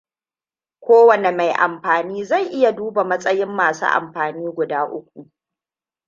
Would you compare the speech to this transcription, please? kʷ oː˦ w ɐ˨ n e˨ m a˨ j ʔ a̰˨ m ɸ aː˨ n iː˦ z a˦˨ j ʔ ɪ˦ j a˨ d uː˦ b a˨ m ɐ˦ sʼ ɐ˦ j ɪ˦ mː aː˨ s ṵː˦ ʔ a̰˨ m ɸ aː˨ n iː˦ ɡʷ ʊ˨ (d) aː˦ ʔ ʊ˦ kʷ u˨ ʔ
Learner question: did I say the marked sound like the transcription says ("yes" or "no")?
yes